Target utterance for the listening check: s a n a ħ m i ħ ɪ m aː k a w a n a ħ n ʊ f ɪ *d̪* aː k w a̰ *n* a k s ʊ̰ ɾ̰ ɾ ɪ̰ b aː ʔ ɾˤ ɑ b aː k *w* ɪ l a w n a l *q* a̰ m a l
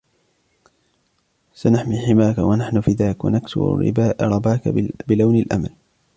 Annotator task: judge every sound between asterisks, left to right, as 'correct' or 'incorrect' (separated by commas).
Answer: correct, correct, incorrect, incorrect